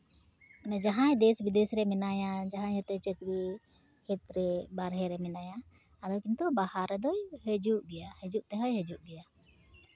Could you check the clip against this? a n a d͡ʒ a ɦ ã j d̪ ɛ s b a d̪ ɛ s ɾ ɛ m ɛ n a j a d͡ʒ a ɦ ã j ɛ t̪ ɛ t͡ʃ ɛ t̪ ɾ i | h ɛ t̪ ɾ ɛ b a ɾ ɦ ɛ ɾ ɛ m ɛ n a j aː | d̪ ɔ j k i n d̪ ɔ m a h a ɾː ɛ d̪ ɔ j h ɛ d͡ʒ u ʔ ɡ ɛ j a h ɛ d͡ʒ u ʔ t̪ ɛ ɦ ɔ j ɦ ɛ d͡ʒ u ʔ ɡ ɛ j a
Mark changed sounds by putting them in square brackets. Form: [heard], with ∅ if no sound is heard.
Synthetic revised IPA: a n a d͡ʒ a ɦ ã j d̪ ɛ s b [i] d̪ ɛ s ɾ ɛ m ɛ n a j a d͡ʒ a ɦ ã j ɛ t̪ ɛ t͡ʃ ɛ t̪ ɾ i | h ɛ t̪ ɾ ɛ b a ɾ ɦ ɛ ɾ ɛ m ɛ n a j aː | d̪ ɔ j k i n [t̪] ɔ [b] a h a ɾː ɛ d̪ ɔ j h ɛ d͡ʒ u ʔ ɡ ɛ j a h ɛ d͡ʒ u ʔ t̪ ɛ ɦ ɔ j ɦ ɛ d͡ʒ u ʔ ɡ ɛ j a